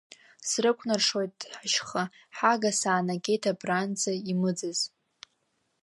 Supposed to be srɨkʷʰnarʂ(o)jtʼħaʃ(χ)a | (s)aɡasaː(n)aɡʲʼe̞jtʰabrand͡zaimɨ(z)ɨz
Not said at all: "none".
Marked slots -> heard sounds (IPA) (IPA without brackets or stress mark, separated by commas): o, χ, ħ, n, d͡z